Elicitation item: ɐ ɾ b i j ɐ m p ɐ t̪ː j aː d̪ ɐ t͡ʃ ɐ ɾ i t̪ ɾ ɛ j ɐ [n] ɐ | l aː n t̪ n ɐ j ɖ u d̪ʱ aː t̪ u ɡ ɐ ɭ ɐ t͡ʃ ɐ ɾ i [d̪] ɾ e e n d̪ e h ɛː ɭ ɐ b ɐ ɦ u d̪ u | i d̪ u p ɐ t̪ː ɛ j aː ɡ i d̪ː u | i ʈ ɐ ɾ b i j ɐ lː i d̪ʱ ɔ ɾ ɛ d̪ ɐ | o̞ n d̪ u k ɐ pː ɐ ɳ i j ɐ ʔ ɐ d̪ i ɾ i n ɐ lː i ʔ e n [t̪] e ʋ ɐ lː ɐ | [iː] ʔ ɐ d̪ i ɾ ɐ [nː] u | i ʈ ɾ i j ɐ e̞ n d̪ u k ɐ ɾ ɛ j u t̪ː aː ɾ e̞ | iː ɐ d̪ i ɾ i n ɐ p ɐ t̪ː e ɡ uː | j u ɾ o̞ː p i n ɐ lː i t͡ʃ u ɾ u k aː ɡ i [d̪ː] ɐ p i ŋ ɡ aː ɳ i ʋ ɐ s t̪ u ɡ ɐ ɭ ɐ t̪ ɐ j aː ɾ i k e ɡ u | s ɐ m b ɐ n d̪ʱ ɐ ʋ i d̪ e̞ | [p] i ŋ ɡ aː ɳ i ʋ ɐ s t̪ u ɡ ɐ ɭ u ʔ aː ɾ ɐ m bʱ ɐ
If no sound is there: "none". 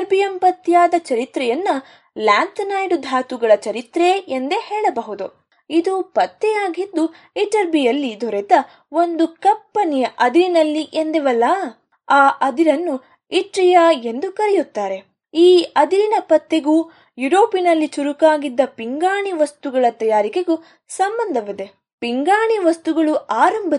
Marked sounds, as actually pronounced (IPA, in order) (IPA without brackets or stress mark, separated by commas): nː, t̪, d̪, aː, nː, d̪ː, p